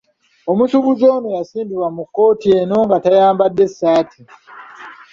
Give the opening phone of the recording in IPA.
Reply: o̞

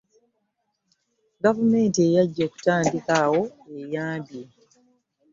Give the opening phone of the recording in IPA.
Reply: ɡ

